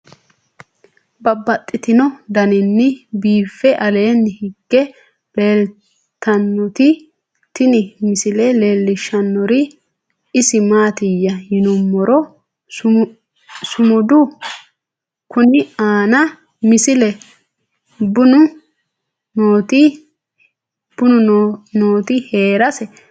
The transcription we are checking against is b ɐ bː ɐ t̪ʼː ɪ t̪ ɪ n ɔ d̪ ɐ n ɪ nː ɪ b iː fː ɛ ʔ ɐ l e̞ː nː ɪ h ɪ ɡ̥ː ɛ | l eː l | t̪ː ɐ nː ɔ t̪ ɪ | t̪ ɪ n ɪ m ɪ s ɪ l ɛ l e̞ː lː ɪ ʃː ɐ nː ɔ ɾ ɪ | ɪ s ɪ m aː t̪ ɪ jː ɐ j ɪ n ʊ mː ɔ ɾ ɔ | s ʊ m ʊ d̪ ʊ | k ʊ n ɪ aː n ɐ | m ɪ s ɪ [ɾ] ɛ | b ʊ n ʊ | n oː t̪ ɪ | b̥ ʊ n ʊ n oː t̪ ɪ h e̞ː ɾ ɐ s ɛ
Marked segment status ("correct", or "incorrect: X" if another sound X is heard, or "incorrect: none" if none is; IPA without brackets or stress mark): incorrect: l